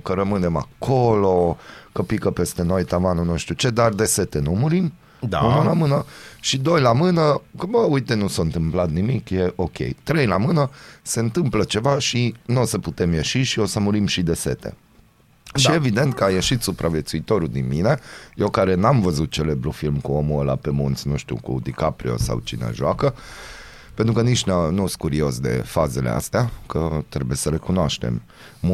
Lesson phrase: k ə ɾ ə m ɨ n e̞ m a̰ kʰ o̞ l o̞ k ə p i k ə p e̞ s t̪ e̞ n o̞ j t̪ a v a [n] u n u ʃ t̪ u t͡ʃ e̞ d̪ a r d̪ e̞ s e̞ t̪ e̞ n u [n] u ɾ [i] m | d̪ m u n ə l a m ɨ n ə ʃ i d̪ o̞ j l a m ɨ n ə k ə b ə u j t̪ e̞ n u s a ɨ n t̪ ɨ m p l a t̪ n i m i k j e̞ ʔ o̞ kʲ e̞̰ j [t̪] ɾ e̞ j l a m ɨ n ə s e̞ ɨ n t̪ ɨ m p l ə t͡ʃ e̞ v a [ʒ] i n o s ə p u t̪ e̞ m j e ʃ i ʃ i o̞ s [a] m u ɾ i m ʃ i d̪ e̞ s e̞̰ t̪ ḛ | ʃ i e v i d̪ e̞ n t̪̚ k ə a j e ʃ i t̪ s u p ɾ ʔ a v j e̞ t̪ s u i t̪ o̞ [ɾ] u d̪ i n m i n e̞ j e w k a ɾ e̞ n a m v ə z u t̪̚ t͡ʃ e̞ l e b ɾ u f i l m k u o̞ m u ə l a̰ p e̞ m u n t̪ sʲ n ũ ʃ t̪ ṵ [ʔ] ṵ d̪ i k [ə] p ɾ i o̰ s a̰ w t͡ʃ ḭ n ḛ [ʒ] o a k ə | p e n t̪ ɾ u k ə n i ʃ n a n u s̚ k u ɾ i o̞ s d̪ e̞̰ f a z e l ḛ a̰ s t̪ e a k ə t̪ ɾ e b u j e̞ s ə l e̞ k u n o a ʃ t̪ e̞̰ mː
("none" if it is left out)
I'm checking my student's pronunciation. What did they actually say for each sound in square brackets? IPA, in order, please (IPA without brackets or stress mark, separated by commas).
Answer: n, m, i, t̪, ʃ, ə, ɾ, k, a, ʒ